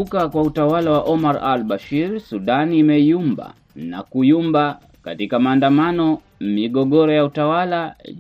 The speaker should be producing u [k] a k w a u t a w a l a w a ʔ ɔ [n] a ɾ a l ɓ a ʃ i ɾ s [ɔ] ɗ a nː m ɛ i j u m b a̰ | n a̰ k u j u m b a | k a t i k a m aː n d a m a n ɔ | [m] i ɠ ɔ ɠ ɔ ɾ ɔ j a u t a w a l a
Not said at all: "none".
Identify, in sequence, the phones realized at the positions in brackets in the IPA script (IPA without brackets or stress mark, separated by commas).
k, m, u, m